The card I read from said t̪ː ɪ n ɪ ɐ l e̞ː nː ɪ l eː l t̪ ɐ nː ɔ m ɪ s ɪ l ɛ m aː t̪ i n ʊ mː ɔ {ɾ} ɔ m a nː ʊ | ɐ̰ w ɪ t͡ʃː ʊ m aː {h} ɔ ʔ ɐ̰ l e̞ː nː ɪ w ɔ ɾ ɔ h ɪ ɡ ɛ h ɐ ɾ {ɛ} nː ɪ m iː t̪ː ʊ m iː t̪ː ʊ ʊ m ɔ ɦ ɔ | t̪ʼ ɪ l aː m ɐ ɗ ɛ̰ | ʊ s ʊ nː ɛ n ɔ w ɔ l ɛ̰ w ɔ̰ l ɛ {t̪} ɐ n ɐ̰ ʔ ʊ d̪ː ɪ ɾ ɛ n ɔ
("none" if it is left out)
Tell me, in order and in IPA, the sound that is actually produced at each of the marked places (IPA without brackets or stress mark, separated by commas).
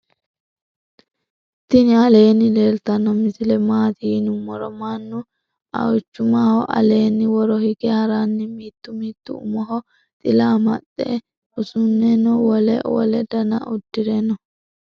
ɾ, h, a, d̪